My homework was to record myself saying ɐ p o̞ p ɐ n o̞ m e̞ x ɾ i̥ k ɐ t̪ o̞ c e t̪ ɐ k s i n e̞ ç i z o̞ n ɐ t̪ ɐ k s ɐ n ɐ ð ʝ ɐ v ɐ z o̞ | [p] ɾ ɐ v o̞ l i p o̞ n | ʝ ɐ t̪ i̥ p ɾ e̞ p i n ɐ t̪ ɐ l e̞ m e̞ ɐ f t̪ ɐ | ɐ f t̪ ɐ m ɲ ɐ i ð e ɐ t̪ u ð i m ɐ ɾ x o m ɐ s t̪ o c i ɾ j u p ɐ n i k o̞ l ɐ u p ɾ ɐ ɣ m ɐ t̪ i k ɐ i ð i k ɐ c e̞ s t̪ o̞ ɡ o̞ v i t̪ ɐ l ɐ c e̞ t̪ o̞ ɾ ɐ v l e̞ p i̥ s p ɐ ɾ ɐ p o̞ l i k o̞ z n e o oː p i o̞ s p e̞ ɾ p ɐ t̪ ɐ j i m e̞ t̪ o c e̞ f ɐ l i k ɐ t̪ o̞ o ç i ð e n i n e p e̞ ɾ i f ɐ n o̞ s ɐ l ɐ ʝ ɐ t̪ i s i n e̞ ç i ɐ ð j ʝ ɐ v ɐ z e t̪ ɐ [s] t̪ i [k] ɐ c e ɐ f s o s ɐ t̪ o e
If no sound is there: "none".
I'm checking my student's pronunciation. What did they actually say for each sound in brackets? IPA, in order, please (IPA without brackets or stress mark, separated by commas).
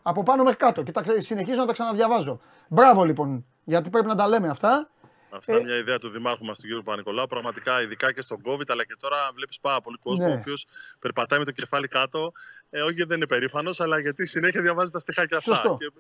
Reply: b, s, x